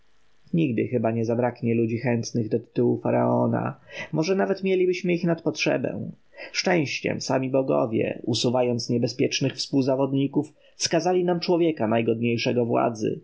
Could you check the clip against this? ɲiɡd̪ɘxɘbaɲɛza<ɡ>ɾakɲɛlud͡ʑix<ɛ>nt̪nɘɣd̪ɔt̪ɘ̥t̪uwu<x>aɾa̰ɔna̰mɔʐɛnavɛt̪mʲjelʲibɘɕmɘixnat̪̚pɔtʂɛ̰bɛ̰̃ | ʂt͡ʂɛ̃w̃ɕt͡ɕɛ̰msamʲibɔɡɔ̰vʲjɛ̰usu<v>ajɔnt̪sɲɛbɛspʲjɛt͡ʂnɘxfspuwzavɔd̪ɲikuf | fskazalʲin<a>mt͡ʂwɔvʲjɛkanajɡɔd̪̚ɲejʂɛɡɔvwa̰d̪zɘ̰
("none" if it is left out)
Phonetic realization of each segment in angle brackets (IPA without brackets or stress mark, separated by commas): b, ɛ, f, v, a